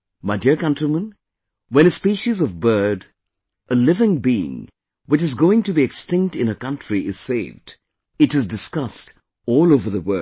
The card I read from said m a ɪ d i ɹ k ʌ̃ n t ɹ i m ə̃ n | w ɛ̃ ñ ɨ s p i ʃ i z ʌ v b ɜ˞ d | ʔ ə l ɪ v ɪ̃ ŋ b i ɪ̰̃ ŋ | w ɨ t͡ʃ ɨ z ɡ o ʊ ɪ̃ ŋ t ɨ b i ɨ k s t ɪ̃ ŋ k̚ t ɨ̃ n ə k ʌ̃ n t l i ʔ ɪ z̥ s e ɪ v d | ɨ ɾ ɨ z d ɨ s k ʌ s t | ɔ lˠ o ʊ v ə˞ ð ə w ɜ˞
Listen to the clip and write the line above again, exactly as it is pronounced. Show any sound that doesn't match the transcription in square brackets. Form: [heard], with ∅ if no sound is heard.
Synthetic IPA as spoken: m a ɪ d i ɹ k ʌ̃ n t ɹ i m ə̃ n | w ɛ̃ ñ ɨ s p i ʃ i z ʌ v b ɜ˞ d | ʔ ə l ɪ v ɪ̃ ŋ b i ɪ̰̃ ŋ | w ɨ t͡ʃ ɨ z ɡ o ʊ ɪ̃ ŋ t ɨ b i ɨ k s t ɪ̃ ŋ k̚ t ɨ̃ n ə k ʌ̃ n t [ɹ] i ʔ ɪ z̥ s e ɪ v d | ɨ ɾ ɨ z d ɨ s k ʌ s t | ɔ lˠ o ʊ v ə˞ ð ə w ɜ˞